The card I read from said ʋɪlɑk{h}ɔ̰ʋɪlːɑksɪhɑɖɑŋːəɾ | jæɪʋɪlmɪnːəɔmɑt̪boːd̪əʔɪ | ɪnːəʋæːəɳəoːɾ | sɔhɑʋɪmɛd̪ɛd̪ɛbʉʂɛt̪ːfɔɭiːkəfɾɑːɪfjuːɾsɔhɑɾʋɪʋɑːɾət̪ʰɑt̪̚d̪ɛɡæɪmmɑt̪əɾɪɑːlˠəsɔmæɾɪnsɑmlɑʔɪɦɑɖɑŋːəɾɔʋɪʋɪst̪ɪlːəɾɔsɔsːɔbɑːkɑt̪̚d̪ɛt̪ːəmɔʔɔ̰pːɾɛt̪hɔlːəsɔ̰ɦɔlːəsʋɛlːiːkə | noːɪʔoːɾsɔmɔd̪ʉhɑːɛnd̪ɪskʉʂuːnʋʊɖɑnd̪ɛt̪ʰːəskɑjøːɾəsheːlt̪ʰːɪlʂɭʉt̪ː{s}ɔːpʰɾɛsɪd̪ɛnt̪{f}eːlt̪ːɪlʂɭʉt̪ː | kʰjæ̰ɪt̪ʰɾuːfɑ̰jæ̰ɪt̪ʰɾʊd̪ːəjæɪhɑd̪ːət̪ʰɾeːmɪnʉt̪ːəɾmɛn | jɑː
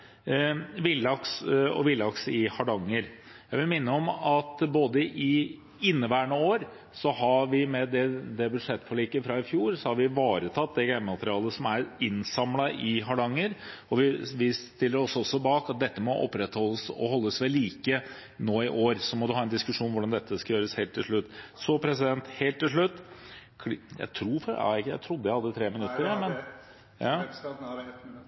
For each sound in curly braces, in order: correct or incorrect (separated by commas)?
incorrect, correct, incorrect